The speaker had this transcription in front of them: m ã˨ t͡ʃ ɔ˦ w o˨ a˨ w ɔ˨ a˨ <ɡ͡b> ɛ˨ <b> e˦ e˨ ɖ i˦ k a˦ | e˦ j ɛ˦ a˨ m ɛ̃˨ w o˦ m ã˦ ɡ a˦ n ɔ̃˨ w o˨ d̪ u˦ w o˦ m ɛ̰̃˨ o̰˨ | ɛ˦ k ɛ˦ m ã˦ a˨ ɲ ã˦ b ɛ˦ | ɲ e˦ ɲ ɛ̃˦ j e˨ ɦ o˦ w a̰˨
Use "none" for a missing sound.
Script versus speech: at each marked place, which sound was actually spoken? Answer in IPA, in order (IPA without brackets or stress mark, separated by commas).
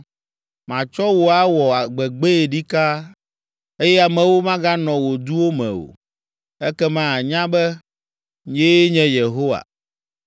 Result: ɡ͡b, ɡ͡b